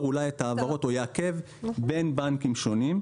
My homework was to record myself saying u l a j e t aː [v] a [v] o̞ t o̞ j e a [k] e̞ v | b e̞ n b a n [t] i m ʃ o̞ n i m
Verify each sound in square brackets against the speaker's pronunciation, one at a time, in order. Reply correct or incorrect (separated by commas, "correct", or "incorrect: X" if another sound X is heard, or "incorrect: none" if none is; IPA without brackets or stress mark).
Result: correct, incorrect: ʁ, correct, incorrect: k